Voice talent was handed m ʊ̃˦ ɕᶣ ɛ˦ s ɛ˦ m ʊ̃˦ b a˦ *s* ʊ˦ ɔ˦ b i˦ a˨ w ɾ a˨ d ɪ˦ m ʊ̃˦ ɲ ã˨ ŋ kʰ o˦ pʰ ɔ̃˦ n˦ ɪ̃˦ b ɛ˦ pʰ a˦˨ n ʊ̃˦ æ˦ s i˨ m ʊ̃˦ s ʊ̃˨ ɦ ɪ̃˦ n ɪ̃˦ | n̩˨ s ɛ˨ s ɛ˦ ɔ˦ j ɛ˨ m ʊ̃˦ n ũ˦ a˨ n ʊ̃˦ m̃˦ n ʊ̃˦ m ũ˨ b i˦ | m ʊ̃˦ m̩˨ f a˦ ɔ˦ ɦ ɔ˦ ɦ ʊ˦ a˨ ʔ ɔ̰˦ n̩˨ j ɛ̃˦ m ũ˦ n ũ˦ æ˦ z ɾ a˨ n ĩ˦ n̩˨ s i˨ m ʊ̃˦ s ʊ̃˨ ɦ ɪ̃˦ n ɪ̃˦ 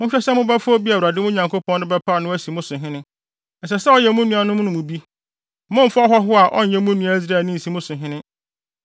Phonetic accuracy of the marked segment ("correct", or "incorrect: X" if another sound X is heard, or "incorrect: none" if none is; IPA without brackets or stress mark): incorrect: f